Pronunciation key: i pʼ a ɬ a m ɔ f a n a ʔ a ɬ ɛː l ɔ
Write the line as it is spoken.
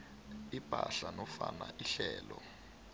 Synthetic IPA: i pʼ a ɬ a n ɔ f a n a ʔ i ɬ ɛː l ɔ